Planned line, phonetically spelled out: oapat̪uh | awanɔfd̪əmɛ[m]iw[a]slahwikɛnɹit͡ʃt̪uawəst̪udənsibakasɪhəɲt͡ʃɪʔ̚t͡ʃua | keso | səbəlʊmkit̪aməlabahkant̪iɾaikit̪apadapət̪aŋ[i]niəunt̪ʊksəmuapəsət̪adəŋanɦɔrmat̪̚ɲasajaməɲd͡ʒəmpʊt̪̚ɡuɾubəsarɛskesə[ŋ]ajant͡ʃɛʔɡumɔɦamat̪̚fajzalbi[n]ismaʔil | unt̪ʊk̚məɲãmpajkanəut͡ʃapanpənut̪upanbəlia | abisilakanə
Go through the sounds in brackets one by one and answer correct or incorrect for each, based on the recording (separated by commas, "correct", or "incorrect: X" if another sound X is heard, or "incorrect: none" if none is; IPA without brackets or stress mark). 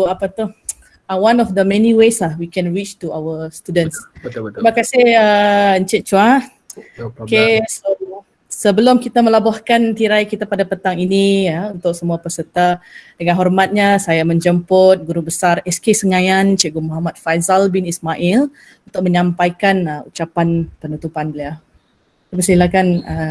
incorrect: n, incorrect: e, correct, correct, correct